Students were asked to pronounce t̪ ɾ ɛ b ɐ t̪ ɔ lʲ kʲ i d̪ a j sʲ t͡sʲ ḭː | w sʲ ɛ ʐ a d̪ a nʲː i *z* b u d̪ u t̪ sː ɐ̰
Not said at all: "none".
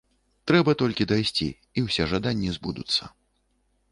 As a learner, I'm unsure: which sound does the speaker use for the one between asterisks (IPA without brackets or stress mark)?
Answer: z